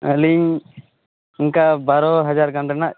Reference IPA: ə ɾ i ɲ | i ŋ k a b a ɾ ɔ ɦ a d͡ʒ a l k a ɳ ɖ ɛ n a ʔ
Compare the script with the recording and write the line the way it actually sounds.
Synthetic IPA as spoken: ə l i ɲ | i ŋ k a b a ɾ ɔ ɦ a d͡ʒ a ɾ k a ɳ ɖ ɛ n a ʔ